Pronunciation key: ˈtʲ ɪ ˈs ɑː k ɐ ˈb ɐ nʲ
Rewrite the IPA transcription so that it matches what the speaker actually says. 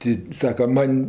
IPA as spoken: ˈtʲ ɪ ˈs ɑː k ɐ ˈm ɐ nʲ